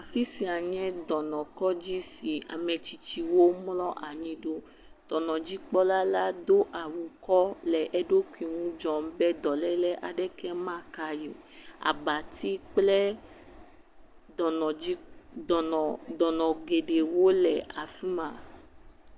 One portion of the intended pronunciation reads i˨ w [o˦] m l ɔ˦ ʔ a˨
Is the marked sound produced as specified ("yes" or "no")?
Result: yes